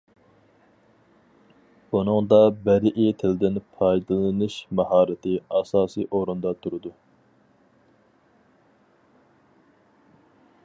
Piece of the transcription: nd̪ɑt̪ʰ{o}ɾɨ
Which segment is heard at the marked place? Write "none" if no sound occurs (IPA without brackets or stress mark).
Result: u